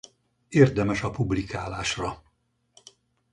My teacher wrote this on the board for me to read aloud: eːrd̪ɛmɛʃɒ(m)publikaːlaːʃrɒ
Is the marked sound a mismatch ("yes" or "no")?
yes